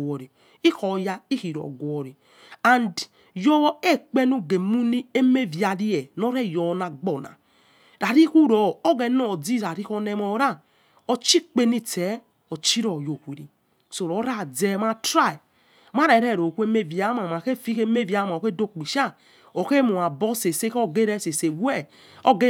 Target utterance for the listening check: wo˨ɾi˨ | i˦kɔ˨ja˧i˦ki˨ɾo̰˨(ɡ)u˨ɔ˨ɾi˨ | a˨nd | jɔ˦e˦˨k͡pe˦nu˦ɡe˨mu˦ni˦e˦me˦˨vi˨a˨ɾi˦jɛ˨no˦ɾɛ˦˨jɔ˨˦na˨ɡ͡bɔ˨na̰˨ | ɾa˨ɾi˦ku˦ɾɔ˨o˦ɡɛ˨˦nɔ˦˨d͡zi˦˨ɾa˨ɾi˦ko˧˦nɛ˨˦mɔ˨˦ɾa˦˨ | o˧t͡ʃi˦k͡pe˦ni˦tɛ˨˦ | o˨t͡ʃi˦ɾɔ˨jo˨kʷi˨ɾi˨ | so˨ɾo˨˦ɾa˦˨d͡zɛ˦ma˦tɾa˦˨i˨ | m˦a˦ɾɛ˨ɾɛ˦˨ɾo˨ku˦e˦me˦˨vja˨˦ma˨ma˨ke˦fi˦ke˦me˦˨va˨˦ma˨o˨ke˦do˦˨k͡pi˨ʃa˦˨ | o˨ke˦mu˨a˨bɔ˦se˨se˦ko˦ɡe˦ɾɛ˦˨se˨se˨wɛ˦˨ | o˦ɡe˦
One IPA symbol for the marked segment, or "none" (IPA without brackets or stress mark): ɡ